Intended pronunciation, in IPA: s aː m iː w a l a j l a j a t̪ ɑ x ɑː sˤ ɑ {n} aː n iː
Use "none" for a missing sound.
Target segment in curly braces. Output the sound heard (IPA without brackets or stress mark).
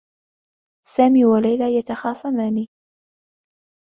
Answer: m